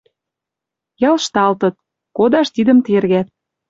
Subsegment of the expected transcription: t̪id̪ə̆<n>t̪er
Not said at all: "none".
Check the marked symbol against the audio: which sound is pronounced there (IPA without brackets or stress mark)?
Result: m